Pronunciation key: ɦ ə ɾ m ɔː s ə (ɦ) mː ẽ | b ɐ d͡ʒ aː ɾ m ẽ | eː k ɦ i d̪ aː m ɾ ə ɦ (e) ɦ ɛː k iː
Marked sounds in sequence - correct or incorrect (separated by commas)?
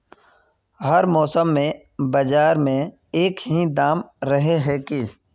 incorrect, correct